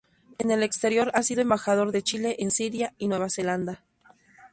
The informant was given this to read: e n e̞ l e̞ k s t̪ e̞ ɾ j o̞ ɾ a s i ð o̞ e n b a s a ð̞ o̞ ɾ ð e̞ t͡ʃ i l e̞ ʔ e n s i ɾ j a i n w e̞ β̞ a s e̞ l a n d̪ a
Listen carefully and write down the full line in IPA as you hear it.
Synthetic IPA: e n e̞ l e̞ k s t̪ e̞ ɾ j o̞ ɾ a s i ð o̞ e m b a x a ð̞ o̞ ɾ ð e̞ t͡ʃ i l e̞ ʔ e n s i ɾ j a i n w e̞ β̞ a s e̞ l a n d̪ a